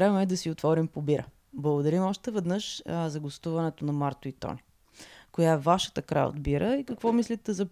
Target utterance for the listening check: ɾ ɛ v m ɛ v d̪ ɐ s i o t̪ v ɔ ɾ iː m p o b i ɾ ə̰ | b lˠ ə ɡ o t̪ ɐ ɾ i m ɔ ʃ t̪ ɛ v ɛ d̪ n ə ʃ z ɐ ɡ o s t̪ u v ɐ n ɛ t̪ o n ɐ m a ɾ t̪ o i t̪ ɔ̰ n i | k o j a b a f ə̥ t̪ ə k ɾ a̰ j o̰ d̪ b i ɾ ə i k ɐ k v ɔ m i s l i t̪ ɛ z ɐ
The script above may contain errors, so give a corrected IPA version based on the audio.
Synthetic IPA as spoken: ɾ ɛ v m ɛ d̪ ɐ s i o t̪ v ɔ ɾ i m p o b i ɾ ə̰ | b lˠ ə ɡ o d̪ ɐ ɾ i m ɔ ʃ t̪ ɛ v ɛ d̪ n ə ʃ z ɐ ɡ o s t̪ u v ɐ n ɛ t̪ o n ɐ m a ɾ t̪ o i t̪ ɔ̰ n i | k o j a v a ʃ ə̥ t̪ ə k ɾ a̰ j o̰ d̪ b i ɾ ə i k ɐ k v ɔ m i s l i t̪ ɛ z ɐ